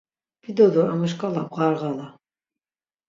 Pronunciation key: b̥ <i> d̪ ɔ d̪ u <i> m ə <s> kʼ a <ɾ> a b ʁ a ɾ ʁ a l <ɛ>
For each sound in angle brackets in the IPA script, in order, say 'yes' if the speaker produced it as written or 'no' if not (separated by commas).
yes, no, no, no, no